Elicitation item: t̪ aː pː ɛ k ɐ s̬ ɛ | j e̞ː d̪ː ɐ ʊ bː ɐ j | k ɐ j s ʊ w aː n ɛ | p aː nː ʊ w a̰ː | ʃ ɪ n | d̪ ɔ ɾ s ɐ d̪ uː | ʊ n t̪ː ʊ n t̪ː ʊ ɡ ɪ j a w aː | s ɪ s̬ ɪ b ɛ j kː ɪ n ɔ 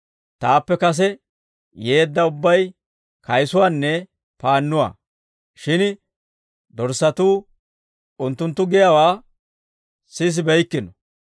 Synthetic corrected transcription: t̪ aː pː ɛ k ɐ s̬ ɛ | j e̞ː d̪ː ɐ ʊ bː ɐ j | k ɐ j s ʊ w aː nː ɛ | p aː nː ʊ w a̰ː | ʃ ɪ n | d̪ ɔ ɾ s ɐ t̪ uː | ʊ n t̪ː ʊ n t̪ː ʊ ɡ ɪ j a w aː | s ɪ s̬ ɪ b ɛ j kː ɪ n ɔ